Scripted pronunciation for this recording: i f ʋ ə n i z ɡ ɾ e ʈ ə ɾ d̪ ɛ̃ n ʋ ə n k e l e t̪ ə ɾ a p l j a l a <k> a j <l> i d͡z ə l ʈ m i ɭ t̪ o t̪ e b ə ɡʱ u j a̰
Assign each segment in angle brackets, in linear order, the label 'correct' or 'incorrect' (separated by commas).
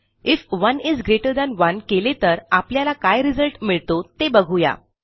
correct, incorrect